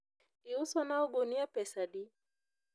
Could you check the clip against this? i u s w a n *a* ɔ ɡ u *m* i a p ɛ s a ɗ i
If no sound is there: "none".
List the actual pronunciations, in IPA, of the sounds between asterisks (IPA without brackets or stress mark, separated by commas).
a, n